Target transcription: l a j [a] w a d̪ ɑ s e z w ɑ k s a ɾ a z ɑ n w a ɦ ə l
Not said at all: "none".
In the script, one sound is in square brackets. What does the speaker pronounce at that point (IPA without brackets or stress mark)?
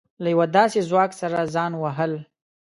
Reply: a